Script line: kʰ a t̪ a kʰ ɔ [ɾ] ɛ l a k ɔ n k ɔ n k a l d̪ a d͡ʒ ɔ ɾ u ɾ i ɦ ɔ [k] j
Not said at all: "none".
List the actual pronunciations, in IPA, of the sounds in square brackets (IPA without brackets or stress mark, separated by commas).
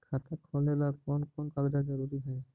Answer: l, none